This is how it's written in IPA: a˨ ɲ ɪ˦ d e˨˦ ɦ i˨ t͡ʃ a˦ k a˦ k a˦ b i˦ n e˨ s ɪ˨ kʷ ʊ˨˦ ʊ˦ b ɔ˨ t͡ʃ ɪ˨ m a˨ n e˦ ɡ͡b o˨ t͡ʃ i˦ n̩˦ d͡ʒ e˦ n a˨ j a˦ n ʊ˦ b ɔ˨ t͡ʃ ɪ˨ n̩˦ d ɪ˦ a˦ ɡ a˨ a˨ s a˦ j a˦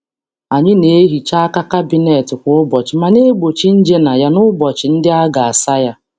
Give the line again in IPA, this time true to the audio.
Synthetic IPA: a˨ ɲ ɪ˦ n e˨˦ ɦ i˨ t͡ʃ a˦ k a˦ k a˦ b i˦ n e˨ t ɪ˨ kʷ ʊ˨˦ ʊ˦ b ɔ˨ t͡ʃ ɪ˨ m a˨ n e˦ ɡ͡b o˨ t͡ʃ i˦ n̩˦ d͡ʒ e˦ n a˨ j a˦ n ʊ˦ b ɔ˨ t͡ʃ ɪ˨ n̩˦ d ɪ˦ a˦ ɡ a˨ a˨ s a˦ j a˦